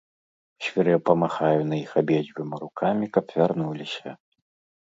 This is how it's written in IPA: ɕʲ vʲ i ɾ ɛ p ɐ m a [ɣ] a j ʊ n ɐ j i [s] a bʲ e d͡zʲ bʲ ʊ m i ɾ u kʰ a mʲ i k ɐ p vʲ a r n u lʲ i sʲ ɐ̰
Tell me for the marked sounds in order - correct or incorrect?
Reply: incorrect: x, incorrect: x

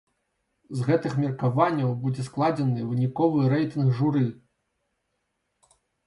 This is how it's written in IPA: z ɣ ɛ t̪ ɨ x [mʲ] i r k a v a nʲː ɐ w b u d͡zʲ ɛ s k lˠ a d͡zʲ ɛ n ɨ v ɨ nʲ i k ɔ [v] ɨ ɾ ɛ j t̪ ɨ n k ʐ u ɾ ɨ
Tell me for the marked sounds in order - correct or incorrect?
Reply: correct, correct

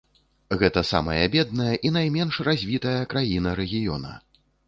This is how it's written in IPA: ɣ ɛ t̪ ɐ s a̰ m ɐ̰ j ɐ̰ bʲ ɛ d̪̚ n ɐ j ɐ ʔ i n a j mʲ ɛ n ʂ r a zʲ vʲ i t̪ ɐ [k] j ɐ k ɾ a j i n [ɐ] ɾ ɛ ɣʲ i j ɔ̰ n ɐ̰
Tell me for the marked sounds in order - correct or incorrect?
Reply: incorrect: none, correct

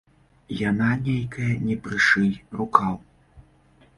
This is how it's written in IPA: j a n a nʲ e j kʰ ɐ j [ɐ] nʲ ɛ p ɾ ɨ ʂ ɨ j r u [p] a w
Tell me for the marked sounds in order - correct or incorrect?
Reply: correct, incorrect: k

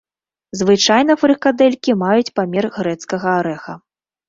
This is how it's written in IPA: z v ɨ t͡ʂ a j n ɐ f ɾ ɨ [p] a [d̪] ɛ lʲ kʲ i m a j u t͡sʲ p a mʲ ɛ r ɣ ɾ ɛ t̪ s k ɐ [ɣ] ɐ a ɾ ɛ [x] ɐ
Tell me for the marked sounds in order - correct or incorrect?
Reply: incorrect: k, correct, correct, correct

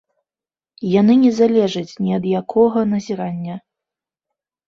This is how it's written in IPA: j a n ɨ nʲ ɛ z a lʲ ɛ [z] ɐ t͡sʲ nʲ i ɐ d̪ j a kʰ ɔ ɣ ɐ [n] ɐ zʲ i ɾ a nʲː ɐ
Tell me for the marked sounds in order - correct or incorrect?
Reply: incorrect: ʐ, correct

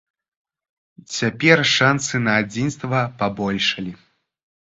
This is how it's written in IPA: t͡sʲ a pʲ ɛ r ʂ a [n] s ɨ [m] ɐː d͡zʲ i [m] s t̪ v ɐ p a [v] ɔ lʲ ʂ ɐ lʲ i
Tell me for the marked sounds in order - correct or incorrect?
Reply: correct, incorrect: n, incorrect: n, incorrect: b

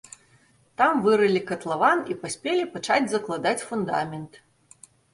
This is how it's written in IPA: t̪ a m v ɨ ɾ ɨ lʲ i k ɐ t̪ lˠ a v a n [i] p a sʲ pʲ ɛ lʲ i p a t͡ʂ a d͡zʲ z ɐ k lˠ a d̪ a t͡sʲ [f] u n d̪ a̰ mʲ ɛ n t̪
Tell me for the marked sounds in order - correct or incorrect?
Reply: correct, correct

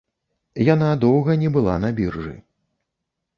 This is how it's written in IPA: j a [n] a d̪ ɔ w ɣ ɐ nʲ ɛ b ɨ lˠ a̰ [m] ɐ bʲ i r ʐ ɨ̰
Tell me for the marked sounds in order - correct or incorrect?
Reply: correct, incorrect: n

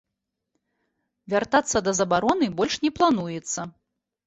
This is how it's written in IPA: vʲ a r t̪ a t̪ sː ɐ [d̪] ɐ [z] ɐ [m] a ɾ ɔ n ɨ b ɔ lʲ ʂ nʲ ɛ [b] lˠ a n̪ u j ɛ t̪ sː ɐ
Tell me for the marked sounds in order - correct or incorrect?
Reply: correct, correct, incorrect: b, incorrect: p

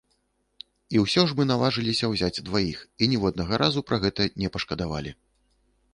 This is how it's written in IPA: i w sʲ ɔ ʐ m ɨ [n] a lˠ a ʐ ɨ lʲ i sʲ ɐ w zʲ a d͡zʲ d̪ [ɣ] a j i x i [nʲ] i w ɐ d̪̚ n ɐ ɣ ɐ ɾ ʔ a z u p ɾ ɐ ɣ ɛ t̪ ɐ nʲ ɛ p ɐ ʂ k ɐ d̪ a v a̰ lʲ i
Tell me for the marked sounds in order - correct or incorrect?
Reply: correct, incorrect: v, correct

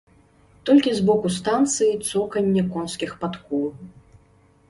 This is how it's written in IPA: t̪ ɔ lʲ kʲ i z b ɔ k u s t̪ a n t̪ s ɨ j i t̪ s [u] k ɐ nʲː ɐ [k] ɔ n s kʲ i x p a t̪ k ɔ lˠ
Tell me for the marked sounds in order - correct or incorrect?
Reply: incorrect: ɔ, correct

